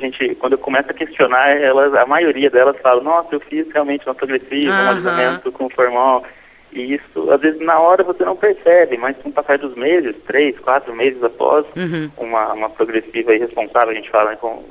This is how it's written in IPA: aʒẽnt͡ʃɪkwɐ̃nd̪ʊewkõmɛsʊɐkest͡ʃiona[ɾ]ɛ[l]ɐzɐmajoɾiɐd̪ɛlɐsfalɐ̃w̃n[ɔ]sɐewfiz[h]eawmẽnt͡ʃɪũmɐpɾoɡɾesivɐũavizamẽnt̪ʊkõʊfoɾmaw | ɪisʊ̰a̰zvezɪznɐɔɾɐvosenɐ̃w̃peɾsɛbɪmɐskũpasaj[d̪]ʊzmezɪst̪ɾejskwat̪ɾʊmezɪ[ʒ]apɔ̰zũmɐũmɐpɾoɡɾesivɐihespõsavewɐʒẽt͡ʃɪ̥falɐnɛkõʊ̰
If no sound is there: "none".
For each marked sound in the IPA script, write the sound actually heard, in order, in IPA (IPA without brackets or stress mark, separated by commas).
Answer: ɾ, l, ɔ, h, d̪, z